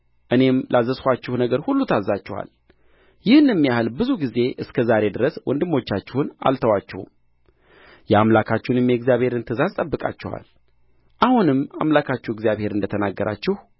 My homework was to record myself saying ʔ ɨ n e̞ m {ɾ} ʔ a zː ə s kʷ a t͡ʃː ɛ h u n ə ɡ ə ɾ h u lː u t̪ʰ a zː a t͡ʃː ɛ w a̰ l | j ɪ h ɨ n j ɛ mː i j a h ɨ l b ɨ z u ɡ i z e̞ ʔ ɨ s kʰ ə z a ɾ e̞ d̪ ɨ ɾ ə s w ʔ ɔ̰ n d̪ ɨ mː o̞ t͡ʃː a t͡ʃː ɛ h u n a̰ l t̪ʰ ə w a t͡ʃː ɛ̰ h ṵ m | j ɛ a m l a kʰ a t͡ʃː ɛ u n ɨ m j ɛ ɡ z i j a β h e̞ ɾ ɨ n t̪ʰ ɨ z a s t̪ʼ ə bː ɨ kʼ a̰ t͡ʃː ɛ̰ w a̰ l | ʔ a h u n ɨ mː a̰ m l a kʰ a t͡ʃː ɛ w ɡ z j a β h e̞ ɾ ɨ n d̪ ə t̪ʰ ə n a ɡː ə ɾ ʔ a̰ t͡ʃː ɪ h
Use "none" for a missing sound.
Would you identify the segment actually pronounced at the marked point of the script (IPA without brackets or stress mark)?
l